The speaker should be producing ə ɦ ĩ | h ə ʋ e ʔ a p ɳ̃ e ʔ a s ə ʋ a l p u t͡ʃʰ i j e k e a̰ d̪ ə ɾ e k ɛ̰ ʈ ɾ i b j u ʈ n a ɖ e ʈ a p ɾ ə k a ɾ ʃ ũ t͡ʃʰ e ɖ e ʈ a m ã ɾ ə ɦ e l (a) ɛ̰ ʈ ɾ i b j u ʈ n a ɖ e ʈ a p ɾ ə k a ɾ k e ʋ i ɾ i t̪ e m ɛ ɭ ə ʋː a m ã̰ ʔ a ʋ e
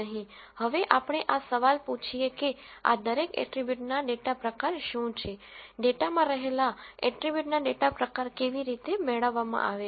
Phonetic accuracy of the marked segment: correct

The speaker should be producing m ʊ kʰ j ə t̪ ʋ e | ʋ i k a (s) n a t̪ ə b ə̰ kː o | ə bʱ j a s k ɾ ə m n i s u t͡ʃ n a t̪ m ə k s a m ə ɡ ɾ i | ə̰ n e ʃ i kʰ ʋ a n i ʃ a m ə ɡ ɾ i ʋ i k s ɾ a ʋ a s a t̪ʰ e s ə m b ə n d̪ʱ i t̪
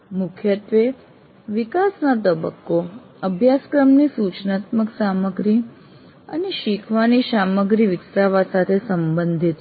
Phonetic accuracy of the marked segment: correct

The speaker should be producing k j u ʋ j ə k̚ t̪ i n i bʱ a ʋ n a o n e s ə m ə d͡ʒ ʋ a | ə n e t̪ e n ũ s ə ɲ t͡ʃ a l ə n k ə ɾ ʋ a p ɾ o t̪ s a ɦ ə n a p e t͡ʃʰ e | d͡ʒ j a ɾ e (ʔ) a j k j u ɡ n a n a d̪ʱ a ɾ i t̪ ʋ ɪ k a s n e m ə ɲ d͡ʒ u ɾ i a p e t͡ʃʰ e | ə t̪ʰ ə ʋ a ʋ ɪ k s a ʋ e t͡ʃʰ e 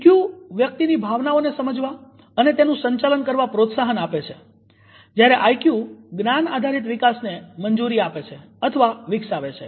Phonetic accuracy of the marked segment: correct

